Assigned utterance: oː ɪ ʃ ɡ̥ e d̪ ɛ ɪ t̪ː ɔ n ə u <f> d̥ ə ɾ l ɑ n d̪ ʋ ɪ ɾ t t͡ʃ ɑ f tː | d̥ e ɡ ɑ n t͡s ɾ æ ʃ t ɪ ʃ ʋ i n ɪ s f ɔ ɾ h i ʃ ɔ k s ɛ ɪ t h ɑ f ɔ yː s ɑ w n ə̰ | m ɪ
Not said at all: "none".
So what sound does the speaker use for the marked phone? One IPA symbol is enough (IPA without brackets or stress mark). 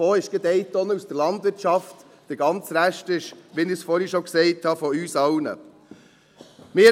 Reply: s